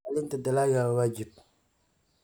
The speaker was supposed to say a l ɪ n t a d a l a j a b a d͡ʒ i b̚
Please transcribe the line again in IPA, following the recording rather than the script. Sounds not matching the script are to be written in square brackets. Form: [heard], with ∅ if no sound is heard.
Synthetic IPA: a l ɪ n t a d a l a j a [w] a d͡ʒ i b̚